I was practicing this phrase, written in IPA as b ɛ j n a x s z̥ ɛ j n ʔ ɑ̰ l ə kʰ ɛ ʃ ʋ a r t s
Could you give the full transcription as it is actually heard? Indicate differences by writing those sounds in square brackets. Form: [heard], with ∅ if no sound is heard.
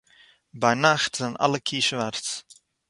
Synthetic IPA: b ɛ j n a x [t] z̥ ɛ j n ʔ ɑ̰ l ə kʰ [i] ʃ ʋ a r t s

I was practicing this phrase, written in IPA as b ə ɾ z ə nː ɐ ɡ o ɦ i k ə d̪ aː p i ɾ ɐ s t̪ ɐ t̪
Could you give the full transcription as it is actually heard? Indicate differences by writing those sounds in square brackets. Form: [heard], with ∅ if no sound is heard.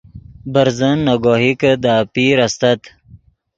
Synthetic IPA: b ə ɾ z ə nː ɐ ɡ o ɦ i k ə d̪ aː p i ɾ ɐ s t̪ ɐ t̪

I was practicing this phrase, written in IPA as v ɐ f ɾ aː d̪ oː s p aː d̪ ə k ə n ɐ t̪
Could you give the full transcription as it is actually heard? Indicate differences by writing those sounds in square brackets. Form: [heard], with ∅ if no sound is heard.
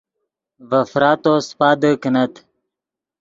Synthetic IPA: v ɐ f ɾ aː [t̪] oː s p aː d̪ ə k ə n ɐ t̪

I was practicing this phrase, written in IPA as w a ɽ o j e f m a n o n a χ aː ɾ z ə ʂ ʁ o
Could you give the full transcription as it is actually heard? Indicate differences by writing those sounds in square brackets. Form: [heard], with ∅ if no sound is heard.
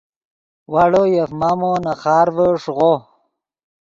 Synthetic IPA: w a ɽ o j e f m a [m] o n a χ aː ɾ [v] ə ʂ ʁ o

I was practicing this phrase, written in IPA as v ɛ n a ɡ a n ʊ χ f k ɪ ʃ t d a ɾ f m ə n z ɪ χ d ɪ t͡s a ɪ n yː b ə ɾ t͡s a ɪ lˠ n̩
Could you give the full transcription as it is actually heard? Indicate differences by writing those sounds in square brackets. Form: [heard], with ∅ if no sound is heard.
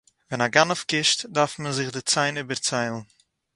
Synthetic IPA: v ɛ n a ɡ a n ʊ [∅] f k ɪ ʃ t d a ɾ f m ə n z ɪ χ d ɪ t͡s a ɪ n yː b ə ɾ t͡s a ɪ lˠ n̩

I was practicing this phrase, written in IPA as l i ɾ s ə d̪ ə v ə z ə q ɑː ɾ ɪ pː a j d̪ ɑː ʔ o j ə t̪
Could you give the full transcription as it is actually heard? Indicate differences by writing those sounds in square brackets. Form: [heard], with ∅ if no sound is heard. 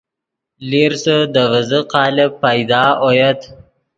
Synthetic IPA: l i ɾ s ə d̪ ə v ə z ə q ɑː [l] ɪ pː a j d̪ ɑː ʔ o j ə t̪

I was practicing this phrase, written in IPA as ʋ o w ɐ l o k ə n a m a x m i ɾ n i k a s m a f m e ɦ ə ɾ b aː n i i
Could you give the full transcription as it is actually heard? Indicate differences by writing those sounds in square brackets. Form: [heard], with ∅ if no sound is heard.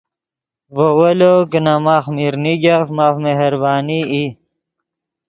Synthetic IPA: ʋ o w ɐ l o k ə n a m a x m i ɾ n i [ɡ] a [f] m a f m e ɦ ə ɾ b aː n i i

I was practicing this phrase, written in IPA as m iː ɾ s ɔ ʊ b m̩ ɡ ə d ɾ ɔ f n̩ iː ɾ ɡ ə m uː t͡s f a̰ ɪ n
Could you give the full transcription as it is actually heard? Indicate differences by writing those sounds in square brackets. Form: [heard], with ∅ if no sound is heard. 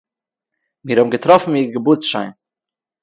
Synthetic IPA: m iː ɾ [h] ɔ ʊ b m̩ ɡ ə [t] ɾ ɔ f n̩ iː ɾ ɡ ə [b] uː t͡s [ʃ] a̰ ɪ n

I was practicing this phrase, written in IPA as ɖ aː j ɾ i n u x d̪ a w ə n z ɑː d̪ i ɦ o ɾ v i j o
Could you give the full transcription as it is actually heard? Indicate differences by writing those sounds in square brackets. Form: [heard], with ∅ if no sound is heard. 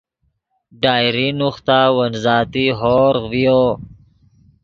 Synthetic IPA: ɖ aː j ɾ i n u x [t̪] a w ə n z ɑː [t̪] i ɦ o ɾ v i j o

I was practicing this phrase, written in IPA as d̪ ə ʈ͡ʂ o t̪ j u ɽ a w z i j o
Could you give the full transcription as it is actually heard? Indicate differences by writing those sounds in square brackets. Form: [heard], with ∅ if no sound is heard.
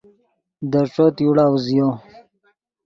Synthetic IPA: d̪ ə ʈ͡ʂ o t̪ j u ɽ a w z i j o

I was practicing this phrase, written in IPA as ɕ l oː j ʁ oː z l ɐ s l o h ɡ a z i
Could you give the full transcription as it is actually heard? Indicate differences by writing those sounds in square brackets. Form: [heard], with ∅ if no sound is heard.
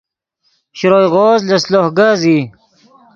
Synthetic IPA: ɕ [ɾ] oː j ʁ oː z l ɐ s l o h ɡ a z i

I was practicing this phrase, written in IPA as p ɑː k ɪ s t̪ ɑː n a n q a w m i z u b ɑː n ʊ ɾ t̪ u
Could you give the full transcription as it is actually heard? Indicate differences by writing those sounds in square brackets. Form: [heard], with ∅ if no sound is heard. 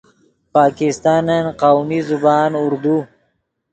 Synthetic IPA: p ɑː k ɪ s t̪ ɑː n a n q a w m i z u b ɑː n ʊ ɾ [d̪] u

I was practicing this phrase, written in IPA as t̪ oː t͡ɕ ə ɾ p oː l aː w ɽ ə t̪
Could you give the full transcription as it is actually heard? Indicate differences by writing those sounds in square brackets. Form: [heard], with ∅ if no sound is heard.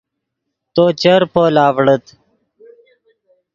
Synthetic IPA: t̪ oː t͡ɕ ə ɾ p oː l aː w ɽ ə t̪

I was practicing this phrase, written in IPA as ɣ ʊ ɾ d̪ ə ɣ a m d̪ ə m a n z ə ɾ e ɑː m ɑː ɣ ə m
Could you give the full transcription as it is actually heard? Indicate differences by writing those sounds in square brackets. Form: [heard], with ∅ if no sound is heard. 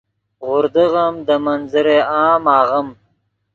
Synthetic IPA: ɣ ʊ ɾ d̪ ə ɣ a m d̪ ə m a n z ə ɾ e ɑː m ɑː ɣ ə m

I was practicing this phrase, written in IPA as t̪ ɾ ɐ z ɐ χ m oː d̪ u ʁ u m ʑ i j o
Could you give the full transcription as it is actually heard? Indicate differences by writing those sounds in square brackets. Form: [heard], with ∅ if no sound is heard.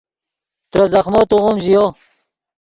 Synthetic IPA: t̪ ɾ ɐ z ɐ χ m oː [t̪] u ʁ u m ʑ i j o

